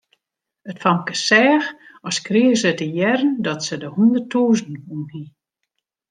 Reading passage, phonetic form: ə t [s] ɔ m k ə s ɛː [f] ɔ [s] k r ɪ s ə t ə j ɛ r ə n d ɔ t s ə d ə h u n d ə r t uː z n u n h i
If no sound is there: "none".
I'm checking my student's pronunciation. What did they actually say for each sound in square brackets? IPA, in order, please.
f, x, s

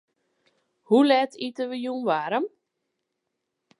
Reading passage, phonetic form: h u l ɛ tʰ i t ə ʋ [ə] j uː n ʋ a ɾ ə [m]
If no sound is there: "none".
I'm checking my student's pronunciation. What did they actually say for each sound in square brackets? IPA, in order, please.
ə, m

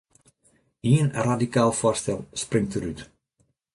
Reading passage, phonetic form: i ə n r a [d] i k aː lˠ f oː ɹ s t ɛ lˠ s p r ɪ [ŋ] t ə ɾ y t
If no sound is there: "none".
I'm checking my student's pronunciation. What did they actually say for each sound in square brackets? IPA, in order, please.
d, ŋ

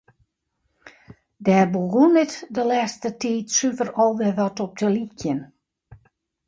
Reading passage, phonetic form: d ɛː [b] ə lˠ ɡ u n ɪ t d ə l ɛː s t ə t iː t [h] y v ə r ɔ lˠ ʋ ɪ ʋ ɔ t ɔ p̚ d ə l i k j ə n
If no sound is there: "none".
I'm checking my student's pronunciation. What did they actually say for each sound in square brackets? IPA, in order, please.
b, s

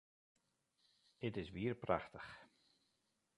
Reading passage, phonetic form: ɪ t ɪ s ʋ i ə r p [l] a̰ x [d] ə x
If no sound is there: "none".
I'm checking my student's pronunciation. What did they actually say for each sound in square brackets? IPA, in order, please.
r, t

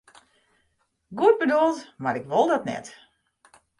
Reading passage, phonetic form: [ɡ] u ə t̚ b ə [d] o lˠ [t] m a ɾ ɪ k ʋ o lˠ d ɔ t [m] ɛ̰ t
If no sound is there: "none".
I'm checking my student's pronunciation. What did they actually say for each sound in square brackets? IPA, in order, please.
ɡ, d, t, n

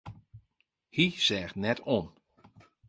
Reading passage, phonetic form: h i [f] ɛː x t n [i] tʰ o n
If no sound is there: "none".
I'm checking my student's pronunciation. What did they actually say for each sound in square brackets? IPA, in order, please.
s, ɛ

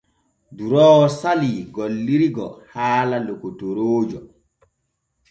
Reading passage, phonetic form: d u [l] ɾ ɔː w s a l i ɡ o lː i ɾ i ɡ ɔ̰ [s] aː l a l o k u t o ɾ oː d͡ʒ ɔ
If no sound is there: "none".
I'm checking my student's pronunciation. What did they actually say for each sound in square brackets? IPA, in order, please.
none, h

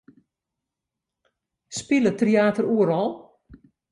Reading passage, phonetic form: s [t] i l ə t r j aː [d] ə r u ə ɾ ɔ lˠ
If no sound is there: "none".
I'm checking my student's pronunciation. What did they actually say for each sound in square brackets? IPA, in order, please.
p, t

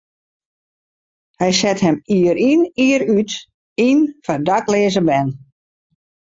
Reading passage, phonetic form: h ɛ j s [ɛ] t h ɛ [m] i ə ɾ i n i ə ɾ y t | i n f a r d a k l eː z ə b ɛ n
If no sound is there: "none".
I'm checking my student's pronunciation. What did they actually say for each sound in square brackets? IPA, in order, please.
ɛ, m

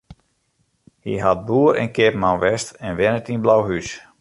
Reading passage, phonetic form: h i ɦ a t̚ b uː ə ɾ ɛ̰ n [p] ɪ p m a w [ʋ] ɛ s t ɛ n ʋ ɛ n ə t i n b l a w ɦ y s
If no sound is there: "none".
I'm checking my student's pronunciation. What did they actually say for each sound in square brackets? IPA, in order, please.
k, ʋ

